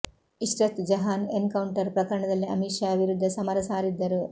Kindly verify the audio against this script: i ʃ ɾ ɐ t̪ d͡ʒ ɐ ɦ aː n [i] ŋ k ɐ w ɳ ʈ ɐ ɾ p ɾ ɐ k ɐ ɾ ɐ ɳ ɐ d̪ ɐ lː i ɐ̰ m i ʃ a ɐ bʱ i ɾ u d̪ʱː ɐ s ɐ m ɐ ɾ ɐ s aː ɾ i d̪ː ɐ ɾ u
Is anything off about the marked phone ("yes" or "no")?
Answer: yes